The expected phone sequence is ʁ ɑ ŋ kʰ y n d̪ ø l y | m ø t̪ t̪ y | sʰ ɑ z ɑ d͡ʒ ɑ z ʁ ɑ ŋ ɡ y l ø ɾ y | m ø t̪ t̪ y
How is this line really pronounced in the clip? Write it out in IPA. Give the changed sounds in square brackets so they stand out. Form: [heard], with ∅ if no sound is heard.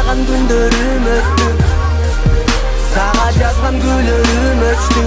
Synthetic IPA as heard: ʁ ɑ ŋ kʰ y n d̪ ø [ɾ] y | m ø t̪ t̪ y | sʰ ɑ [ʁ] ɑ d͡ʒ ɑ z ʁ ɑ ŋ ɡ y l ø ɾ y | m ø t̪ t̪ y

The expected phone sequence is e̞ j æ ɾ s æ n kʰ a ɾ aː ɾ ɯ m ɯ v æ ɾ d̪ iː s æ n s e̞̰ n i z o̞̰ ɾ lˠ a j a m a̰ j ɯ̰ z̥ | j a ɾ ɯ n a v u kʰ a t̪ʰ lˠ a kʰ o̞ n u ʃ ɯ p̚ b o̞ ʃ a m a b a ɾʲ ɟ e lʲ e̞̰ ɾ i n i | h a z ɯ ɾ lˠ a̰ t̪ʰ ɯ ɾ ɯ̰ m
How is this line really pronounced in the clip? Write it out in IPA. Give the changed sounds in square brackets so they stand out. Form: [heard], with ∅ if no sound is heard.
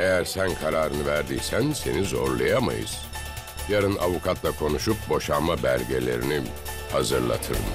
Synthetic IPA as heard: e̞ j æ ɾ s æ n kʰ a ɾ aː ɾ ɯ [n] ɯ v æ ɾ d̪ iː s æ n s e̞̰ n i z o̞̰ ɾ lˠ a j a m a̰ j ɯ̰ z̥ | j a ɾ ɯ n a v u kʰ a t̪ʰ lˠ a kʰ o̞ n u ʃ [u] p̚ b o̞ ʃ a m a b [æ] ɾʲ ɟ e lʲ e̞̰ ɾ i n i | h a z ɯ ɾ lˠ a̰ t̪ʰ ɯ ɾ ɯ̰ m

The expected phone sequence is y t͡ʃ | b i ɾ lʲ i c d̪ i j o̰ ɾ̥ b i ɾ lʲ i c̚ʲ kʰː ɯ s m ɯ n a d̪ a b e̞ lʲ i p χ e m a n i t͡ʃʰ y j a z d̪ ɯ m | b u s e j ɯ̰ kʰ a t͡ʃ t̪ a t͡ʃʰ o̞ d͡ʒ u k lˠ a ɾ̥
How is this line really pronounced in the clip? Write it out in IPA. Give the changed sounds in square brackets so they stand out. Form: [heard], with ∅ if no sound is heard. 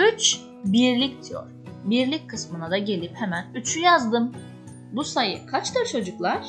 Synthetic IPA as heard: y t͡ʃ | b i ɾ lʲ i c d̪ i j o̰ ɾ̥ b i ɾ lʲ i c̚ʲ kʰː ɯ s m ɯ n a d̪ a [ɟ] e̞ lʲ i p [h] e m [æ] n [y] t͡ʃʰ y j a z d̪ ɯ m | b u s [a] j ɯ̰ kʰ a t͡ʃ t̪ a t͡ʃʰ o̞ d͡ʒ u k lˠ a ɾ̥

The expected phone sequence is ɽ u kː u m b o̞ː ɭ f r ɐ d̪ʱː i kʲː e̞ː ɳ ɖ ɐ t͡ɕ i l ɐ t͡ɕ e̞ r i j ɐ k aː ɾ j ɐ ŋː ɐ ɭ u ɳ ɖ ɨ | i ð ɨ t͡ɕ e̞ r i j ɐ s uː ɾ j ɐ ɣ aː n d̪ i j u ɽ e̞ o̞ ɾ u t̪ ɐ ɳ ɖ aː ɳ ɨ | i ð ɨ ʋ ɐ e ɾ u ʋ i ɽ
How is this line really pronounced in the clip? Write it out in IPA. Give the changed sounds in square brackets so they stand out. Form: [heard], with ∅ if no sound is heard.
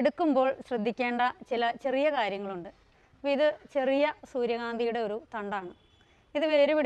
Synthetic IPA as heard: ɽ u kː u m b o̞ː ɭ [ɕ] r ɐ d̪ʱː i kʲː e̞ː ɳ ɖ ɐ t͡ɕ i l ɐ t͡ɕ e̞ r i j ɐ k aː ɾ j ɐ ŋː ɐ ɭ u ɳ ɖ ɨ | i ð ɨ t͡ɕ e̞ r i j ɐ s uː ɾ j ɐ ɣ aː n d̪ i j u ɽ e̞ o̞ ɾ u t̪ ɐ ɳ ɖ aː ɳ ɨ | i ð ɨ ʋ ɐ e ɾ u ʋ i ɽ

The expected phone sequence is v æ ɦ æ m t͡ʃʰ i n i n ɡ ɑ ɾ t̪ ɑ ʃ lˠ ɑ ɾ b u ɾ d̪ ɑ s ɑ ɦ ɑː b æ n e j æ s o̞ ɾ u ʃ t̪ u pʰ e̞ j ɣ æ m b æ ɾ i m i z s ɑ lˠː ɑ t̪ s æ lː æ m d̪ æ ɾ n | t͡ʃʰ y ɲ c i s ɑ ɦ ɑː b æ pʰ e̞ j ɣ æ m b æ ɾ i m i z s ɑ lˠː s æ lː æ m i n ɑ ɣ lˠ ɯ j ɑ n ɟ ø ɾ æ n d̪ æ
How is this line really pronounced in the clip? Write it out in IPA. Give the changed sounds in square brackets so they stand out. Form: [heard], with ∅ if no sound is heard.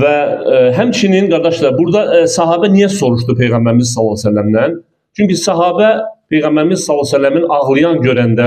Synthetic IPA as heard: v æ ɦ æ m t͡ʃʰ i n i n ɡ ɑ ɾ [d̪] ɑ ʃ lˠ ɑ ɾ b u ɾ d̪ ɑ s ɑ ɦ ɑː b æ n [i] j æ s o̞ ɾ u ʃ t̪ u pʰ e̞ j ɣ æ m b æ ɾ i m i z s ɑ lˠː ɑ [∅] s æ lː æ m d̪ æ [∅] n | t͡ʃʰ y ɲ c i s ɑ ɦ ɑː b æ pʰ e̞ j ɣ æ m b æ ɾ i m i z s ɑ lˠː s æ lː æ m i n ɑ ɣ lˠ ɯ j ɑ n ɟ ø ɾ æ n d̪ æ

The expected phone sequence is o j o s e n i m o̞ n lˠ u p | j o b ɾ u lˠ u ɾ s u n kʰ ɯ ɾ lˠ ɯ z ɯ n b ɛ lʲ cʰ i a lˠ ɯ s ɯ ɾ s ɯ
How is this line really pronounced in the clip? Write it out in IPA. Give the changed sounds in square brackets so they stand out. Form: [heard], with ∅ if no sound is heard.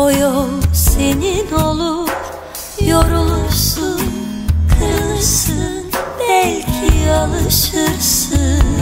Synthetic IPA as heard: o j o s e n i [n] o̞ [∅] lˠ u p | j o [∅] ɾ u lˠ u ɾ s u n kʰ ɯ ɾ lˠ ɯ [s] ɯ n b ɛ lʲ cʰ i a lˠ ɯ [ʃ] ɯ ɾ s ɯ

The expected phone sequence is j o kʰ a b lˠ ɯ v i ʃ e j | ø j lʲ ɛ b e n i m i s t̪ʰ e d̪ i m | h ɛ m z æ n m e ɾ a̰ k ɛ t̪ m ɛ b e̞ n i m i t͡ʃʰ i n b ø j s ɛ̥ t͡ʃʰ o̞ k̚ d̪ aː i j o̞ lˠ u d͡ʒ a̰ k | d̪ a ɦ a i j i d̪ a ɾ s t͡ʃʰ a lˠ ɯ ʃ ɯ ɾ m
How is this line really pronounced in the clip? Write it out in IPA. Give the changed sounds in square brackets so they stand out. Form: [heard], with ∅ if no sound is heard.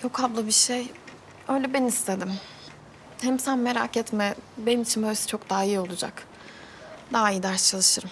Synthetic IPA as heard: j o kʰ a b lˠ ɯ [b] i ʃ e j | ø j lʲ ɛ b e n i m i s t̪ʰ e d̪ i m | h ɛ m [s] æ n m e ɾ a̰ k ɛ t̪ m ɛ b e̞ n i m i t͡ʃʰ i n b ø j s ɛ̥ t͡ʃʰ o̞ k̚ d̪ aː i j o̞ lˠ u d͡ʒ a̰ k | d̪ a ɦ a i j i d̪ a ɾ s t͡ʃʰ a lˠ ɯ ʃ ɯ ɾ m

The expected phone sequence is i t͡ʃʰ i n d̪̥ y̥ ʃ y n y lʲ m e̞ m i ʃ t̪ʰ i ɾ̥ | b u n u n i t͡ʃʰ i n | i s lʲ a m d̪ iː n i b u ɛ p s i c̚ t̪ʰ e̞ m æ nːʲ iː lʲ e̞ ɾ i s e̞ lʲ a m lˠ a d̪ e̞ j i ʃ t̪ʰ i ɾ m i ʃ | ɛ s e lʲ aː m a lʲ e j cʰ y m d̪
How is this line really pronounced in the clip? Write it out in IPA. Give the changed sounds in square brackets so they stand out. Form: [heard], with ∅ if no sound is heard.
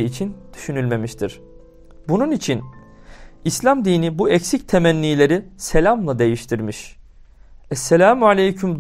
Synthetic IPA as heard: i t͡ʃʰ i n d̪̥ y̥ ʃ y n y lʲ m e̞ m i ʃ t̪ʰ i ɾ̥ | b u n u n i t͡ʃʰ i n | i s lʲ a m d̪ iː n i b u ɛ [c] s i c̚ t̪ʰ e̞ m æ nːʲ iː lʲ e̞ ɾ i s e̞ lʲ a m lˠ a d̪ e̞ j i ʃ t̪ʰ i ɾ m i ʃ | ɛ s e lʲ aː m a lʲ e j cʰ y m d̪

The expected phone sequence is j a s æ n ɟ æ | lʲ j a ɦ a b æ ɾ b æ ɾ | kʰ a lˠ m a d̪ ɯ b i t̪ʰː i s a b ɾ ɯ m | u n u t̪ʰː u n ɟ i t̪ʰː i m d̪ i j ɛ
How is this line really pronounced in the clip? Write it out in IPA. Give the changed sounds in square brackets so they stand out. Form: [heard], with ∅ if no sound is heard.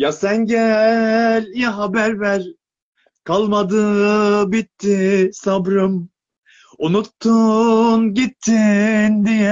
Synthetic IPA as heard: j a s æ n ɟ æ | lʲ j a ɦ a b æ ɾ [v] æ ɾ | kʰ a lˠ m a d̪ ɯ b i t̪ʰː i s a b ɾ ɯ m | u n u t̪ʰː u n ɟ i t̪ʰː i [n] d̪ i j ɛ

